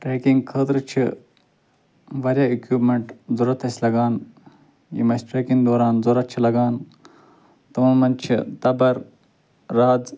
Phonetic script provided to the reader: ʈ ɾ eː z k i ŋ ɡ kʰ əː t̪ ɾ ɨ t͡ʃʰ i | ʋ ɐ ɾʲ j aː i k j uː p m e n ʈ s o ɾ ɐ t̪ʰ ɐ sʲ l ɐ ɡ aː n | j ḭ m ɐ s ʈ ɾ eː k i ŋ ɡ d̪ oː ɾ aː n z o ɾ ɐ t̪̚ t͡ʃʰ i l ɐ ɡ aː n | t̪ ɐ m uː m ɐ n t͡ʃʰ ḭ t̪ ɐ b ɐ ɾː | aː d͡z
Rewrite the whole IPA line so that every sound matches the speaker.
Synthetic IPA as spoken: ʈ ɾ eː k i ŋ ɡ kʰ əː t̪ ɾ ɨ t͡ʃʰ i | ʋ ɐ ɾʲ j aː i k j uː p m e ɳ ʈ z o ɾ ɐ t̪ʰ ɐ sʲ l ɐ ɡ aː n | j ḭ m ɐ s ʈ ɾ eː k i ŋ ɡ d̪ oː ɾ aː n z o ɾ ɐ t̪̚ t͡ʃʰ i l ɐ ɡ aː n | t̪ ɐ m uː m ɐ n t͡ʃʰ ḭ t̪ ɐ b ɐ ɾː | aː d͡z